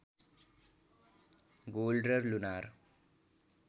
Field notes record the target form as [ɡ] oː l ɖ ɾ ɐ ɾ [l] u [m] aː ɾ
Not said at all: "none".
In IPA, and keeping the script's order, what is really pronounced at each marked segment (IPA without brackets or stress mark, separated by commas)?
ɡ, l, n